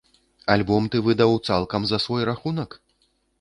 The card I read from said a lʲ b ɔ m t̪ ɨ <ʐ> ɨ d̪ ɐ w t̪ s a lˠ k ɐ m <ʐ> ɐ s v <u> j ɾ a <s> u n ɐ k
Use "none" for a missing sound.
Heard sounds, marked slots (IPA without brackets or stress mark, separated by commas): v, z, ɔ, x